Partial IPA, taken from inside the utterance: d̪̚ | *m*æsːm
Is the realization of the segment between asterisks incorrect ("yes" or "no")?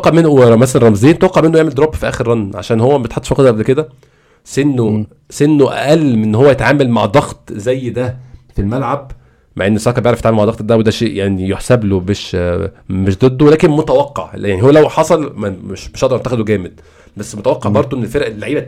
yes